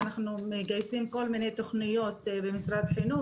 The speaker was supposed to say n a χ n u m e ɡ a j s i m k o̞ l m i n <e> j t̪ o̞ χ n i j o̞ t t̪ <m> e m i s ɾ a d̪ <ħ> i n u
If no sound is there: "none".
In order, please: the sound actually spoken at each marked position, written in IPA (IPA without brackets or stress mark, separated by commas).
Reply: e, b, ħ